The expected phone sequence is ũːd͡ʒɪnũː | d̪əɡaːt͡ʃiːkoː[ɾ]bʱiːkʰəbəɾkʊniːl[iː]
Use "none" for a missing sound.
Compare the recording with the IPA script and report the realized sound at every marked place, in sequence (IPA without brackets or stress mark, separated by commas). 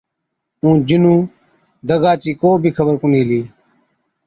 none, iː